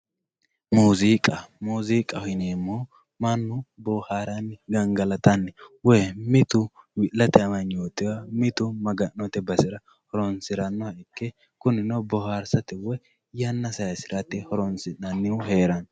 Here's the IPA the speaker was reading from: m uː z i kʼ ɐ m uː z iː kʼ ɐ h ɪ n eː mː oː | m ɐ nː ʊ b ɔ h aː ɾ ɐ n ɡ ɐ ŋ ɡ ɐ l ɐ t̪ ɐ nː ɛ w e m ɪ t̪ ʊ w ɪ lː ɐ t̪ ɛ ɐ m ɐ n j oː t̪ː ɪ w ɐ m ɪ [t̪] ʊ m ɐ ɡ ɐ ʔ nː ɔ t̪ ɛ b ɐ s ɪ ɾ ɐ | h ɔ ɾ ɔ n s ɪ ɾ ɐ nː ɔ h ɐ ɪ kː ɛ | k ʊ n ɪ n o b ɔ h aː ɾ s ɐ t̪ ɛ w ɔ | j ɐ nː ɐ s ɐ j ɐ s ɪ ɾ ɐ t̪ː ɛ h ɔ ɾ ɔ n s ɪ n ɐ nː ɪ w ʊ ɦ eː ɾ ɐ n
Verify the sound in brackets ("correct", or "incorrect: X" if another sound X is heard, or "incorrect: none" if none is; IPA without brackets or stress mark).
correct